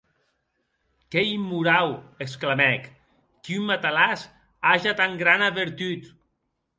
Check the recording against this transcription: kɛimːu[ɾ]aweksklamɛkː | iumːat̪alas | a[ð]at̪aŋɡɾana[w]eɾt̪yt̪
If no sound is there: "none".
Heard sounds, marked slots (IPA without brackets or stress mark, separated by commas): ɾ, ʒ, β